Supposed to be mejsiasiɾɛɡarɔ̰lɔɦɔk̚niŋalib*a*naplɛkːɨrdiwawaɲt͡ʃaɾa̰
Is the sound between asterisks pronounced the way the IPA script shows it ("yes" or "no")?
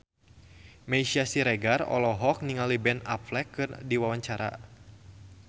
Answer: no